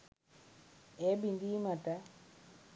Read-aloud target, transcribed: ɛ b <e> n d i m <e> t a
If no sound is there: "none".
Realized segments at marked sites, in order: i, a

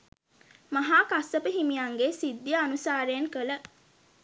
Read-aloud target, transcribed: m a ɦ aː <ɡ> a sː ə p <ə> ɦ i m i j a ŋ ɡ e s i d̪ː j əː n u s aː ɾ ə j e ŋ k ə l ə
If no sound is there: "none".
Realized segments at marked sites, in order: k, ə

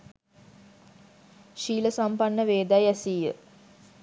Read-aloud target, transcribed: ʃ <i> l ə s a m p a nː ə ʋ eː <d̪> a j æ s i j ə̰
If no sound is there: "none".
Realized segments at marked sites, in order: iː, d̪

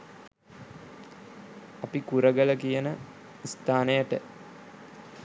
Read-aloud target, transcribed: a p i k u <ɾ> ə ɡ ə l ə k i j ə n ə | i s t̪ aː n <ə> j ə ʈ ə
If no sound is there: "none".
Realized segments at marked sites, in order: ɾ, ə

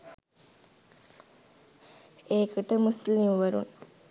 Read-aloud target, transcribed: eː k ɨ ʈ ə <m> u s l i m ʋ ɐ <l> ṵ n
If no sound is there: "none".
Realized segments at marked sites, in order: m, ɾ

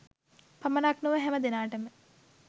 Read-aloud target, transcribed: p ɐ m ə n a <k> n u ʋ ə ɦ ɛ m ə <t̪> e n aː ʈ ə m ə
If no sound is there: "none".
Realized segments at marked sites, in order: k, d̪

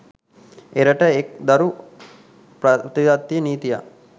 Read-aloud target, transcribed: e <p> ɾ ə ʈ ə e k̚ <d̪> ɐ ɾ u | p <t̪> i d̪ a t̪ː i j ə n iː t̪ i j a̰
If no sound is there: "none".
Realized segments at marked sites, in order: none, d̪, t̪

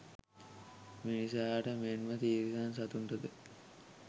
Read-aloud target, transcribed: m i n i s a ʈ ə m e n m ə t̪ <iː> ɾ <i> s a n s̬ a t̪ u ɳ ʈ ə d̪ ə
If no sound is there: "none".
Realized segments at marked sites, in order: iː, i

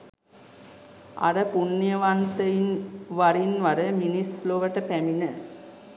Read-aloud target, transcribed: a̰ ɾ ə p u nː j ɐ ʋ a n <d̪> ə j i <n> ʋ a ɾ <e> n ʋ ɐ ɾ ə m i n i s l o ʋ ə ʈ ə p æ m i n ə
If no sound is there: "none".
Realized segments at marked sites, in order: t̪, n, i

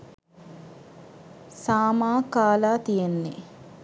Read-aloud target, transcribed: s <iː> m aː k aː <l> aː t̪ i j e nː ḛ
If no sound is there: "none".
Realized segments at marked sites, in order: aː, l

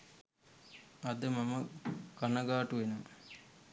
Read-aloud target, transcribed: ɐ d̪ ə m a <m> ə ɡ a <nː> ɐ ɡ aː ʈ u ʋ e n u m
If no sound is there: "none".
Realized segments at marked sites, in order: m, n

